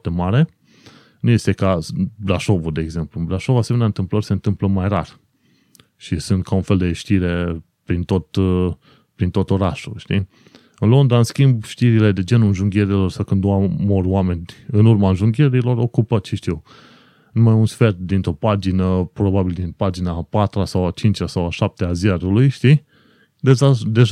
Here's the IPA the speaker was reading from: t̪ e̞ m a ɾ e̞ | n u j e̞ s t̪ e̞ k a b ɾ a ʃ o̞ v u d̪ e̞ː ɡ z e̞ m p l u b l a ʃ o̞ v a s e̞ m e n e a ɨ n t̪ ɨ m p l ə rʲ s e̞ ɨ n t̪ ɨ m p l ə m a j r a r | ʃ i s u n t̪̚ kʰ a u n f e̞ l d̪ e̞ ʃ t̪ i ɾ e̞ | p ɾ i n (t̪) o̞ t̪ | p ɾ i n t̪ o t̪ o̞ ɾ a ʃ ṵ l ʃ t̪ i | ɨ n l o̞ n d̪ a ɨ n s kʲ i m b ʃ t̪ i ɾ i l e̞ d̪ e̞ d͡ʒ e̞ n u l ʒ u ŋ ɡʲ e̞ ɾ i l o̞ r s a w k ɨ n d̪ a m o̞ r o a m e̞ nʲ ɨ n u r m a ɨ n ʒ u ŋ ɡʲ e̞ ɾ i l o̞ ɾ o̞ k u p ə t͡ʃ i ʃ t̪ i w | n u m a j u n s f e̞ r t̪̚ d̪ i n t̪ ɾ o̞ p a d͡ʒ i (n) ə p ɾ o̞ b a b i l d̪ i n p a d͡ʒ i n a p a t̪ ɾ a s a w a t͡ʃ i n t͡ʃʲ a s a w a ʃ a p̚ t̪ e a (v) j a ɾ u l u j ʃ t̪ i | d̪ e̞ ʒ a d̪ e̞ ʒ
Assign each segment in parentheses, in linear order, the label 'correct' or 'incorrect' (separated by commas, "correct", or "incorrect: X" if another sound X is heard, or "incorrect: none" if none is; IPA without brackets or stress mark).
correct, correct, incorrect: z